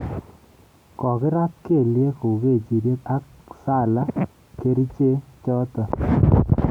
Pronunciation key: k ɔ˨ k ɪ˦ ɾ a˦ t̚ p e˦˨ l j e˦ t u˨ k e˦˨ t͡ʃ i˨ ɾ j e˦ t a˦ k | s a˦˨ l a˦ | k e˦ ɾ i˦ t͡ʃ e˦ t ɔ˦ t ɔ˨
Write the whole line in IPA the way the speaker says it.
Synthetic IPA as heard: k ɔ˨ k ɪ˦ ɾ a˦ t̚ k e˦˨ l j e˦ k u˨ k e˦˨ t͡ʃ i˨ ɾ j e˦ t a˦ k | s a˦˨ l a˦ | k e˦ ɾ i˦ t͡ʃ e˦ t͡ʃ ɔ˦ t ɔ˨